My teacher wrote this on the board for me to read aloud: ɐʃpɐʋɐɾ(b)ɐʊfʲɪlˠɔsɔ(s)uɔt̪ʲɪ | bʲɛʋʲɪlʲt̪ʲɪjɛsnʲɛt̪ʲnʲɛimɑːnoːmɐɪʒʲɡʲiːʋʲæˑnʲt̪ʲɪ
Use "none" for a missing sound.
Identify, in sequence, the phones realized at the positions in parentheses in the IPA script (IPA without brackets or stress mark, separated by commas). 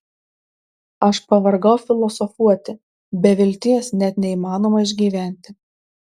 ɡ, f